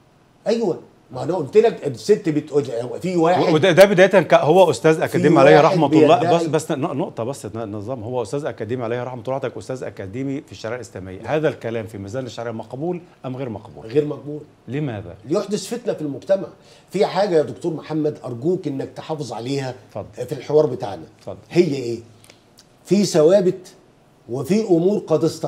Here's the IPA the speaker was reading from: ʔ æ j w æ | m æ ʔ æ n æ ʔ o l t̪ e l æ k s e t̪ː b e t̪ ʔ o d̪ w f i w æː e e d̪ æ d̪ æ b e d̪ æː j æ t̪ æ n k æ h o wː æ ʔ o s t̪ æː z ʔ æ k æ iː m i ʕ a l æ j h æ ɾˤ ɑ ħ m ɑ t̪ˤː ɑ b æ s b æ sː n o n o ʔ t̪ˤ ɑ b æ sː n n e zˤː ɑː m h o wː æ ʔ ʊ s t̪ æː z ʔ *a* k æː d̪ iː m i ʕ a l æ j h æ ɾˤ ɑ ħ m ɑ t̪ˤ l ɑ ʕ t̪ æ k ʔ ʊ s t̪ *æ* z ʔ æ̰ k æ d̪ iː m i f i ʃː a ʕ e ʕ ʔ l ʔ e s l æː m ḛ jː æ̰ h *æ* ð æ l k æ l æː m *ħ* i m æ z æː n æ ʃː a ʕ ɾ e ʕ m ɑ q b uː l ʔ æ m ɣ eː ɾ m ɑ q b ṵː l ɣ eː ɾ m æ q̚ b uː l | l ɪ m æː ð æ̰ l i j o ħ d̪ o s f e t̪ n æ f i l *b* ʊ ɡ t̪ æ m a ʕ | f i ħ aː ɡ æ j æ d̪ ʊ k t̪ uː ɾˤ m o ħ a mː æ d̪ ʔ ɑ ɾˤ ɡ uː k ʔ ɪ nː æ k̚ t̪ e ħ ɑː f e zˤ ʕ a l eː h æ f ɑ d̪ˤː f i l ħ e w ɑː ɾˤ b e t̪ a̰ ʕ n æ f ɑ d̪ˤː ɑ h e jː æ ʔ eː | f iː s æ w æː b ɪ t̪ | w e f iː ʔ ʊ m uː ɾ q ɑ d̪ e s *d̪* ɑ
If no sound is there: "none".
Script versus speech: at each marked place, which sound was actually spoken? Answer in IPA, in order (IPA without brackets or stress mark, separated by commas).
æ, æː, æː, f, m, t̪